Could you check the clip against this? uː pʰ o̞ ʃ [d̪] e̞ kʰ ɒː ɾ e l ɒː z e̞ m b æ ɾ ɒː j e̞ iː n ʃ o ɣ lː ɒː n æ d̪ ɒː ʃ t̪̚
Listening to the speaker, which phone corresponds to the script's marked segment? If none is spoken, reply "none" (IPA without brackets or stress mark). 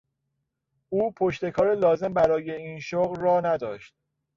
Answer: t̪